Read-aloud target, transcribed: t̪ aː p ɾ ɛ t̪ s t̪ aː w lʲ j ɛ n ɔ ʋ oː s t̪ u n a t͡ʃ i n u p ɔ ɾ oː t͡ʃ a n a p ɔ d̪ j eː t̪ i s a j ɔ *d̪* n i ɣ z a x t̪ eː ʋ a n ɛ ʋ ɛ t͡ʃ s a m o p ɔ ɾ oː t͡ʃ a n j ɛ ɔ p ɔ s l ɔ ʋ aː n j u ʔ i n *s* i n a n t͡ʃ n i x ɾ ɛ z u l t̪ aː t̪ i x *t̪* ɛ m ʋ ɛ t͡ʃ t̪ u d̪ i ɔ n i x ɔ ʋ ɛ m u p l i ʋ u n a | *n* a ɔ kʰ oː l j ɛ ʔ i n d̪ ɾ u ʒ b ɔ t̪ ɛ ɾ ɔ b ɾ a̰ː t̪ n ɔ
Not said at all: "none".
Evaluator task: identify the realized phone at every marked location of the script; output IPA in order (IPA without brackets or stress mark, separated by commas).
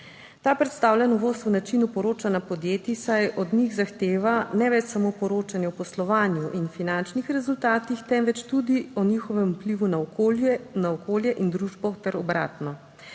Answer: d̪, f, t̪, n